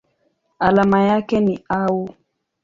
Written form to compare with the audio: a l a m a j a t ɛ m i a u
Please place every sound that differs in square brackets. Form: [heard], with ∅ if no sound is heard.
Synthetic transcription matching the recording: a l a m a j a [k] ɛ [n] i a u